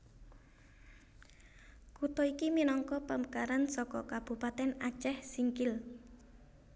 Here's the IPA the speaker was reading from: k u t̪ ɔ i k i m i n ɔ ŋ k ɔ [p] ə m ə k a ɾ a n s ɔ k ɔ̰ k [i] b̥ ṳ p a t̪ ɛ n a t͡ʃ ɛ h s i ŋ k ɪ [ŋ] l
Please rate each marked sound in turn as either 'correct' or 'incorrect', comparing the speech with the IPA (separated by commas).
correct, incorrect, incorrect